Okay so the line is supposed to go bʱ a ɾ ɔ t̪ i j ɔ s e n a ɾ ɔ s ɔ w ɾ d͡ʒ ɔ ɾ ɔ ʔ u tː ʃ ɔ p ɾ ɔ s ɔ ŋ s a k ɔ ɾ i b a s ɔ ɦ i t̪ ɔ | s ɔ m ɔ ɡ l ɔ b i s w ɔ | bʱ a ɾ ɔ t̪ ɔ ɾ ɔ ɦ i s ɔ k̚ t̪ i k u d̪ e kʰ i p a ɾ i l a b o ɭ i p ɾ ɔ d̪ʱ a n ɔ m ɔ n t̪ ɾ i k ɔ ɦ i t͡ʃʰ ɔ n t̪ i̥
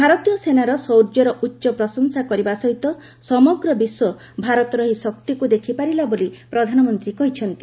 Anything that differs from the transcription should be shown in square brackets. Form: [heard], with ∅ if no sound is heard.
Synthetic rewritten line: bʱ a ɾ ɔ t̪ i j ɔ s e n a ɾ ɔ s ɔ w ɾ d͡ʒ ɔ ɾ ɔ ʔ u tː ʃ ɔ p ɾ ɔ s ɔ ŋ s a k ɔ ɾ i b a s ɔ ɦ i t̪ ɔ | s ɔ m ɔ ɡ [ɾ] ɔ b i s w ɔ | bʱ a ɾ ɔ t̪ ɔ ɾ ɔ ɦ i s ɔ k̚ t̪ i k u d̪ e kʰ i p a ɾ i l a b o [l] i p ɾ ɔ d̪ʱ a n ɔ m ɔ n t̪ ɾ i k ɔ ɦ i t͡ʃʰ ɔ n t̪ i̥